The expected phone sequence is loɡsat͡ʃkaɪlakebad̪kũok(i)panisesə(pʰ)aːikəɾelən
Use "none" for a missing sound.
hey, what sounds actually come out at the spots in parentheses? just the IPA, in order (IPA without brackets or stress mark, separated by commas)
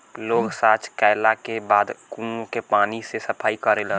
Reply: e, pʰ